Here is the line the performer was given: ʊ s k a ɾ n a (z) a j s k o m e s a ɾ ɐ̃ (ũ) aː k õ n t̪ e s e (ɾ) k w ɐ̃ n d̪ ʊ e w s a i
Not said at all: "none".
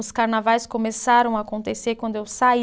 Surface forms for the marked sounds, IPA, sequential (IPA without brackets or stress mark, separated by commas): v, w̃, ɾ